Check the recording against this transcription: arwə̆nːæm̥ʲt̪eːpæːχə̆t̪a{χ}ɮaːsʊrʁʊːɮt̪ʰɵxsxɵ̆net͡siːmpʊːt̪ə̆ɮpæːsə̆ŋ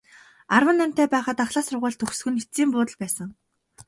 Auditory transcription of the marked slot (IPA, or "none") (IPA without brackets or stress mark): χ